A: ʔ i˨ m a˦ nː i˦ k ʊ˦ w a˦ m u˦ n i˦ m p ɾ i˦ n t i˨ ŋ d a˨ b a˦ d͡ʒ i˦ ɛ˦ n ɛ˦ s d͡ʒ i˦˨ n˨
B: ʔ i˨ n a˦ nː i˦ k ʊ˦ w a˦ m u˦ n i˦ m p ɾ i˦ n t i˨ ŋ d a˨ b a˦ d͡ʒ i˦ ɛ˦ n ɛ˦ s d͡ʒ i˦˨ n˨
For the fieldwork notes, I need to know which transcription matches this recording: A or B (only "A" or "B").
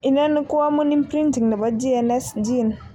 B